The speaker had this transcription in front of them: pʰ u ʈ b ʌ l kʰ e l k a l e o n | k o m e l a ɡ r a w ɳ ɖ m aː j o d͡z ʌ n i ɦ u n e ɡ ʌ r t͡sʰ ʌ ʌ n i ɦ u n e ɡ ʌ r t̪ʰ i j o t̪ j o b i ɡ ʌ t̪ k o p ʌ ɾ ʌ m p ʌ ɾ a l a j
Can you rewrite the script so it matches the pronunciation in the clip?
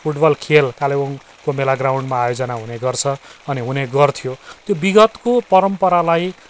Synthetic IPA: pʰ u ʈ b ʌ l kʰ e l k a l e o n | k o m e l a ɡ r a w ɳ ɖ m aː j o d͡z ʌ n a ɦ u n e ɡ ʌ r t͡sʰ ʌ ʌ n i ɦ u n e ɡ ʌ r t̪ʰ i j o t̪ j o b i ɡ ʌ t̪ k o p ʌ ɾ ʌ m p ʌ ɾ a l a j